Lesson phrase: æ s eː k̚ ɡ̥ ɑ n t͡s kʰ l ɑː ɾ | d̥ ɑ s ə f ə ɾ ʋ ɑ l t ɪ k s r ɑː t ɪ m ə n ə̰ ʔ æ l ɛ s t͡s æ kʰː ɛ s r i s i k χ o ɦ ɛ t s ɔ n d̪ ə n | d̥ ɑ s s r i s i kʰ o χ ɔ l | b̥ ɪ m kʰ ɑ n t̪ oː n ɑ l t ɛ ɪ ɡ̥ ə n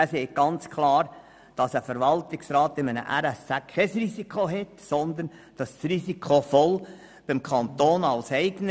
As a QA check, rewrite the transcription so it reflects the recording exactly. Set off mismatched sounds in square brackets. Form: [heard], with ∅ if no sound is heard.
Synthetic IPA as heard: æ s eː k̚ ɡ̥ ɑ n t͡s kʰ l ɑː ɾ | d̥ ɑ s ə f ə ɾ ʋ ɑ l t ɪ k s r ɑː t ɪ m ə n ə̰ ʔ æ [ɾ] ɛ s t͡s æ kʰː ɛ s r i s i k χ o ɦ ɛ t s ɔ n d̪ ə n | d̥ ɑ s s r i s i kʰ o [f] ɔ l | b̥ ɪ m kʰ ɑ n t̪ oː n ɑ l [s] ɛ ɪ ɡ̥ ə n